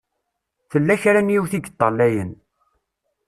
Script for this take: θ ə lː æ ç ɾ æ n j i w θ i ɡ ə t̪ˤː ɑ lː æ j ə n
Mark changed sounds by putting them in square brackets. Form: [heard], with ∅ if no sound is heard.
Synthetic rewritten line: θ ə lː æ ç ɾ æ n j i w θ i ɡ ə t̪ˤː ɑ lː æ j ə n